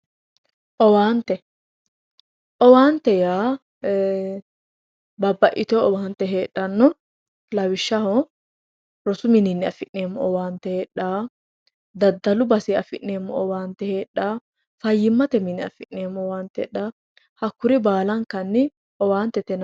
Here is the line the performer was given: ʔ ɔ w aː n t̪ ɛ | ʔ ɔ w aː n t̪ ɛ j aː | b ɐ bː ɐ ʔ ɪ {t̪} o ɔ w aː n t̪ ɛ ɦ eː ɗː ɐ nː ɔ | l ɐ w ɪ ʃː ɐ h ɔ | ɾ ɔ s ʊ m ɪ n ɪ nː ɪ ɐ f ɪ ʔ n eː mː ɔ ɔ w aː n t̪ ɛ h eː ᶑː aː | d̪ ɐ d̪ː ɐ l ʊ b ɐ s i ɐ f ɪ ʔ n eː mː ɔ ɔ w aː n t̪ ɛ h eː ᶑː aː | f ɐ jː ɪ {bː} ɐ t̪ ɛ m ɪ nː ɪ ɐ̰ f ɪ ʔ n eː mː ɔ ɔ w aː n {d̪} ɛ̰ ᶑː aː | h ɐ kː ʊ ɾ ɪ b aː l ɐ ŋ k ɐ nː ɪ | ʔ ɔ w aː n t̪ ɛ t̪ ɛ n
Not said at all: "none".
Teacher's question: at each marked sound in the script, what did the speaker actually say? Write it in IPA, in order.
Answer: t̪, mː, t̪

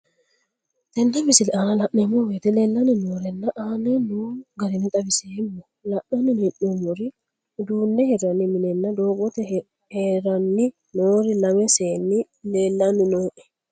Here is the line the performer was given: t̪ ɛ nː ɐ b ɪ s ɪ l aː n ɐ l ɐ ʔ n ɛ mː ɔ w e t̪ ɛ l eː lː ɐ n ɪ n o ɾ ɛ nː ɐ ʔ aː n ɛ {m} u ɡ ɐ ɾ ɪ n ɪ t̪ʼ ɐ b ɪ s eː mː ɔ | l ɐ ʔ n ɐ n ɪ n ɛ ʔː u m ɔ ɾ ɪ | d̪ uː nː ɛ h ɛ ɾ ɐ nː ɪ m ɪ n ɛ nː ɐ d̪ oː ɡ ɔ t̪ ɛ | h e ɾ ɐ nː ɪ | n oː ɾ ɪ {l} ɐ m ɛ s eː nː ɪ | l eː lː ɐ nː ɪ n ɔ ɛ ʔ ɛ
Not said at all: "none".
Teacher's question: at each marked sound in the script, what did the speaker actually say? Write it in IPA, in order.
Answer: n, l

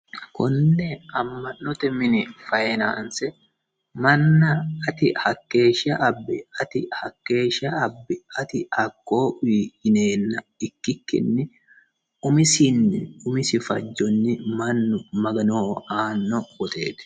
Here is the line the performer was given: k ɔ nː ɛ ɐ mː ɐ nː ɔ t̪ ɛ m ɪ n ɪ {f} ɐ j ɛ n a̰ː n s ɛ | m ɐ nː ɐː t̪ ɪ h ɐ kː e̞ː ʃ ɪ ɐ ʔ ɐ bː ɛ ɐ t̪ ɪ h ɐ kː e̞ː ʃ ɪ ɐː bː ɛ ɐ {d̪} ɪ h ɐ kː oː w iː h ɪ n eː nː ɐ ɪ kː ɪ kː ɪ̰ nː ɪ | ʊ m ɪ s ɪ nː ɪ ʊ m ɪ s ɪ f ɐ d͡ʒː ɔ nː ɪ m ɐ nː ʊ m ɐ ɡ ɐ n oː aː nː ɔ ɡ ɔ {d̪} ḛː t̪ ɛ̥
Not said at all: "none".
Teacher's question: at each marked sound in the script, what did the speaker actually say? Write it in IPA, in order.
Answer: f, t̪, t̪

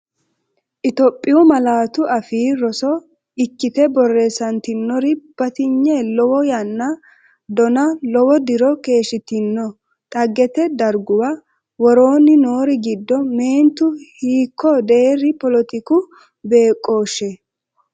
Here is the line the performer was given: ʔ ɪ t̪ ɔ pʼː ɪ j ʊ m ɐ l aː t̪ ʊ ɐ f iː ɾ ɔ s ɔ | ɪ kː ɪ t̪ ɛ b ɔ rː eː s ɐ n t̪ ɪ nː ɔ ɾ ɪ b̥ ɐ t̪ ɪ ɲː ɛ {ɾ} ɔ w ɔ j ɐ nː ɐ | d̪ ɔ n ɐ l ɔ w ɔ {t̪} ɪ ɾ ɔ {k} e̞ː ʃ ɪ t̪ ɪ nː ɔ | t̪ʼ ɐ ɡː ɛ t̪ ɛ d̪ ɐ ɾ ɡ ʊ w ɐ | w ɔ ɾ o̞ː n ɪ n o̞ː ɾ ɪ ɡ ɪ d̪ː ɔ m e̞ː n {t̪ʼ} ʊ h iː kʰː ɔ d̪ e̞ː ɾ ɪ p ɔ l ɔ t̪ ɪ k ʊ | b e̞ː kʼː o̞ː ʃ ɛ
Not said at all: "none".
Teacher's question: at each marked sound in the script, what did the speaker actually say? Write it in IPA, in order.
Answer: l, d̪, k, t̪

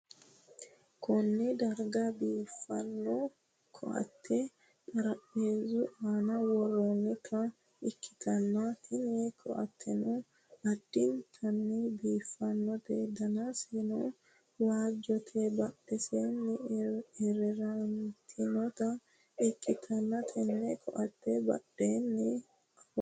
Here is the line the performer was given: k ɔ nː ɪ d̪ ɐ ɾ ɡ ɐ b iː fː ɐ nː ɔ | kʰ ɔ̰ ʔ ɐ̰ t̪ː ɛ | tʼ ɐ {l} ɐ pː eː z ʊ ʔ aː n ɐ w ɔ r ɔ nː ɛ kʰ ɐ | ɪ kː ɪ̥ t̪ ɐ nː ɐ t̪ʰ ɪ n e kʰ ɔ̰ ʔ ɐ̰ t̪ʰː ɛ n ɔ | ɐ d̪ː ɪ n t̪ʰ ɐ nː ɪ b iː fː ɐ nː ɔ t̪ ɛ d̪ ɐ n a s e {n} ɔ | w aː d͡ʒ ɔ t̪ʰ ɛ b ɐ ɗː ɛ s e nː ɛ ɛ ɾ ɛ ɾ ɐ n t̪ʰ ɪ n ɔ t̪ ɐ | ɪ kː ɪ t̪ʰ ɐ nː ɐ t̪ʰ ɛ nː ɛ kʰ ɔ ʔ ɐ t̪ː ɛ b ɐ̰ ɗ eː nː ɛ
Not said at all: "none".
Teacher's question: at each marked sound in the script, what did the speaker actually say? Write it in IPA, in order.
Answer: ɾ, n

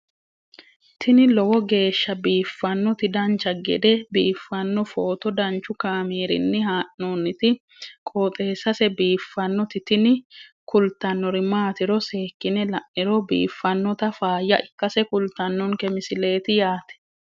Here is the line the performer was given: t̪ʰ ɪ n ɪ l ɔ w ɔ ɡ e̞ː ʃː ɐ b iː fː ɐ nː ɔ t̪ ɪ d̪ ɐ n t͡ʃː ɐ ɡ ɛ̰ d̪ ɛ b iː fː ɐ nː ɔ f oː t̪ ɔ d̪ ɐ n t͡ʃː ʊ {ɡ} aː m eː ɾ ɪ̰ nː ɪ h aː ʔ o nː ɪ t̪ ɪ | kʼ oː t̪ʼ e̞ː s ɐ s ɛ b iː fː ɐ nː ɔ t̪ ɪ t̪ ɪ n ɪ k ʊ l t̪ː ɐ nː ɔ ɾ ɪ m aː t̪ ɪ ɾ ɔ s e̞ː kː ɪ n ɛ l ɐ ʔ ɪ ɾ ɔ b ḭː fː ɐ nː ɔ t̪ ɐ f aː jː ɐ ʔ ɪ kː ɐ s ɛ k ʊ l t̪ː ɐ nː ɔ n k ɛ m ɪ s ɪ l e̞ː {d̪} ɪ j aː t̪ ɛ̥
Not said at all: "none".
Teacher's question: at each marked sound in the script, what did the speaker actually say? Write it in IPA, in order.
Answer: k, t̪

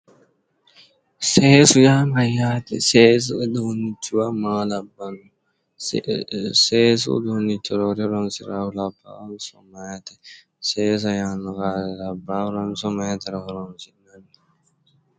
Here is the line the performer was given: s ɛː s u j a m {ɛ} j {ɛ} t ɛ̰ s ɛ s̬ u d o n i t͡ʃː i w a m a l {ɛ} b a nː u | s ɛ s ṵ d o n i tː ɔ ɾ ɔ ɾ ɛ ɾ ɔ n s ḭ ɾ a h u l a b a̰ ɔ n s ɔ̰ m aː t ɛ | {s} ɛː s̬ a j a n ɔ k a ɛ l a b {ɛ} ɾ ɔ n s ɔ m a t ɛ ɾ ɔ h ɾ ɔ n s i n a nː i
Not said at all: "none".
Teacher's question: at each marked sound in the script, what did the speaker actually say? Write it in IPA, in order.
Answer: a, a, a, s, a

